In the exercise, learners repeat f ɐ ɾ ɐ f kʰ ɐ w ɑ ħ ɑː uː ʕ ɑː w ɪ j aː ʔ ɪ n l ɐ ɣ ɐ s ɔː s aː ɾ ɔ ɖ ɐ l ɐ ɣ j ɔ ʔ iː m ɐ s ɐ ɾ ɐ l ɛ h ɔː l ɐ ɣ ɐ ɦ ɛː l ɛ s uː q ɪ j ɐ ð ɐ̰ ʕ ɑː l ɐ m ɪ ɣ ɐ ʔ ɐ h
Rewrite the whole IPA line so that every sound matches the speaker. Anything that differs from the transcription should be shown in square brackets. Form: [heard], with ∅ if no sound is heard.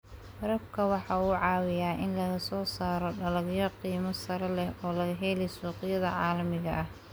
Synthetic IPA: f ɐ ɾ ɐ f kʰ ɐ w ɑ ħ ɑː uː ʕ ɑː w ɪ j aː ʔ ɪ n l ɐ ɣ ɐ s ɔː s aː ɾ ɔ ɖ ɐ l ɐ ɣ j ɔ [q] iː m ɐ s ɐ ɾ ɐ l ɛ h ɔː l ɐ ɣ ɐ ɦ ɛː l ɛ s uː q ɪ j ɐ ð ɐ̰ ʕ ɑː l ɐ m ɪ ɣ ɐ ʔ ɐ h

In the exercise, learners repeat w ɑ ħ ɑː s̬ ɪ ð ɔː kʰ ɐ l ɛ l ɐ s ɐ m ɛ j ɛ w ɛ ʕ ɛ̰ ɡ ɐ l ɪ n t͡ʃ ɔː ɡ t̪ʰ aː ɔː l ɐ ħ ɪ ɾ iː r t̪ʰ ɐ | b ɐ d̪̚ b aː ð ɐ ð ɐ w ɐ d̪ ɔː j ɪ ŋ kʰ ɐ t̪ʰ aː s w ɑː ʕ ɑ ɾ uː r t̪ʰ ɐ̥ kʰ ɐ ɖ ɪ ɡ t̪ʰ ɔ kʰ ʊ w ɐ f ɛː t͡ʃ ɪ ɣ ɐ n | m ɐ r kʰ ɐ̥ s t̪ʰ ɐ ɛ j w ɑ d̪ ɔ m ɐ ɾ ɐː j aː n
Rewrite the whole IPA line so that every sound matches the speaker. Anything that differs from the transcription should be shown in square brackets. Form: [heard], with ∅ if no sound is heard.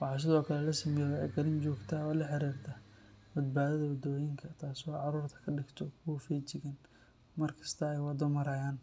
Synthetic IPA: w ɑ ħ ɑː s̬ ɪ ð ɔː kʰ ɐ l ɛ l ɐ s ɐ m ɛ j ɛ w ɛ ʕ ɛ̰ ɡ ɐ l ɪ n t͡ʃ ɔː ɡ t̪ʰ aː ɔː l ɐ ħ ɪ ɾ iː r t̪ʰ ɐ | b ɐ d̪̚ b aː ð ɐ ð ɐ w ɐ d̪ ɔː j ɪ ŋ kʰ ɐ t̪ʰ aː s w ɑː ʕ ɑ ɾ uː r t̪ʰ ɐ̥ kʰ ɐ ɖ ɪ ɡ t̪ʰ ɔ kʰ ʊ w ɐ f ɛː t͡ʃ ɪ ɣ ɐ n | m ɐ r kʰ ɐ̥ s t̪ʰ ɐ ɛ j w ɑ d̪ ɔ m ɐ ɾ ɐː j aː n

